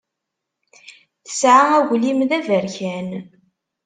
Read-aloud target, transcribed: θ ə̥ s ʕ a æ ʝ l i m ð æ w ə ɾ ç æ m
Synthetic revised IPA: θ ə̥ s ʕ a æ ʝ l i m ð æ v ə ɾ ç æ n